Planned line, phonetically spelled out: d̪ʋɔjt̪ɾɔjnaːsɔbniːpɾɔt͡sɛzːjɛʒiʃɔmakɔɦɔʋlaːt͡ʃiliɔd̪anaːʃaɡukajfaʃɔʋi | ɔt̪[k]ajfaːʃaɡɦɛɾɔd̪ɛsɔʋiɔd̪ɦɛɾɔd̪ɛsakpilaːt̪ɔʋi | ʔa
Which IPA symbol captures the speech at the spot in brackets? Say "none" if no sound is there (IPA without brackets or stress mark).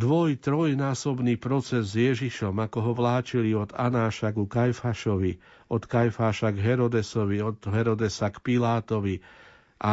k